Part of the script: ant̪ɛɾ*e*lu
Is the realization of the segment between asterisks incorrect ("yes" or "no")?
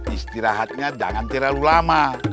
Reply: yes